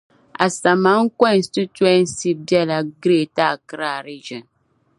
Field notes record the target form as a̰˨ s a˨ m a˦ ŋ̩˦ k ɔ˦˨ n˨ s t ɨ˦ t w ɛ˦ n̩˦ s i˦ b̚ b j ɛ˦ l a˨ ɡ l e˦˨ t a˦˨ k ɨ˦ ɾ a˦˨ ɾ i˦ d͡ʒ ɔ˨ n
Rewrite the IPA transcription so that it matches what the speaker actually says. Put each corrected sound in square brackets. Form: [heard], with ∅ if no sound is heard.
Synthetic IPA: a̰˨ s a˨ m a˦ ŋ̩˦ k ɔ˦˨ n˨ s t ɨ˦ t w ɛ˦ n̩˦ s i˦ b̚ b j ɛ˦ l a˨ ɡ [ɾ] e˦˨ t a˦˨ k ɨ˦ ɾ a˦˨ ɾ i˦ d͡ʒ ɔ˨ n